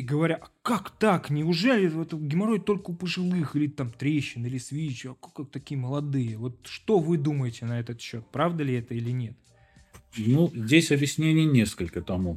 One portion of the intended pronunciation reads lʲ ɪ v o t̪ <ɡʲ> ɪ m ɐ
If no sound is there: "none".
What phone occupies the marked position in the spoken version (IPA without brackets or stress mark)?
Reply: ɡʲ